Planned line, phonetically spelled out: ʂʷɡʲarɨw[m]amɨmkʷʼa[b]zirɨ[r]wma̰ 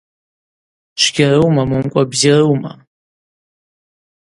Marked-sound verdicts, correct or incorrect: correct, correct, incorrect: none

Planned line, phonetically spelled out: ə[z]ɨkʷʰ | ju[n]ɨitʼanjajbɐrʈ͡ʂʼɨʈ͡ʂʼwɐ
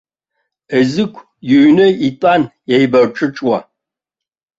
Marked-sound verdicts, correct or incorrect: correct, correct

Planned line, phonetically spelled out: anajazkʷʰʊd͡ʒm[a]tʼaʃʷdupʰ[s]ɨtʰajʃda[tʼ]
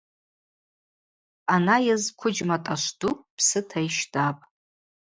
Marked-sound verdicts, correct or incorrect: correct, correct, incorrect: pʼ

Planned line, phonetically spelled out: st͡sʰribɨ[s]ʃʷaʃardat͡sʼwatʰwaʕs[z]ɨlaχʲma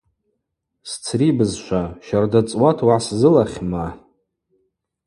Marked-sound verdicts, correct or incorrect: incorrect: z, correct

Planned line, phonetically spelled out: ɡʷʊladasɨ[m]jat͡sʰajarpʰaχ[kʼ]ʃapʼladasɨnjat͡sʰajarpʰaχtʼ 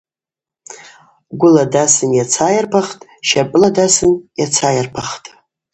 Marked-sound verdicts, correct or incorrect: incorrect: n, incorrect: tʼ

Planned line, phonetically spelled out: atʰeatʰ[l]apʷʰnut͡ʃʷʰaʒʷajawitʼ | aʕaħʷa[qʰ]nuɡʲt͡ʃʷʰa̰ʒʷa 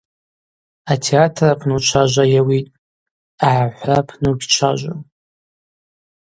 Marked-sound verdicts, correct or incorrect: incorrect: r, incorrect: pʰ

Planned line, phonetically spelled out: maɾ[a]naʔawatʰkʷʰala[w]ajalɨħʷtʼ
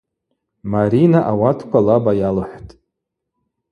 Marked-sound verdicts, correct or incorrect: incorrect: i, incorrect: b

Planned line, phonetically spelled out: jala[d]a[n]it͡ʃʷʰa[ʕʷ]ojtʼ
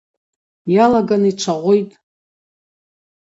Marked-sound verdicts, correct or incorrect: incorrect: ɡ, correct, incorrect: ʁʷ

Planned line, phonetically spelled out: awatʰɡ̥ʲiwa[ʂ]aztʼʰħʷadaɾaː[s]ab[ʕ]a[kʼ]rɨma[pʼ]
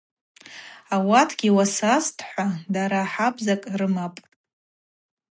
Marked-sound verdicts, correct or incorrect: incorrect: s, incorrect: ħ, incorrect: z, correct, correct

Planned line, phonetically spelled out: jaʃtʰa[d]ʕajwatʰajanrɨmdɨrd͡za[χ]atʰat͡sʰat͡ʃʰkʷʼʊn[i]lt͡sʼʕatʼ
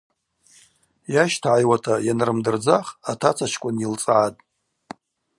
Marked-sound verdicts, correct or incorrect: incorrect: none, correct, correct

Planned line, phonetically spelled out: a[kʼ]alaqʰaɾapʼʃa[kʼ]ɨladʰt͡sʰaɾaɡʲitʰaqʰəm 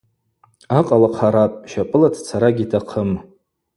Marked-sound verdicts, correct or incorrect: incorrect: qʼ, incorrect: pʼ

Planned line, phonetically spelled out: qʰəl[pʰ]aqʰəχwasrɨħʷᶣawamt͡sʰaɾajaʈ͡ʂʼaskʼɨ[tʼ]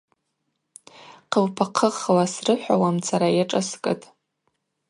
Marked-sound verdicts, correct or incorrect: correct, correct

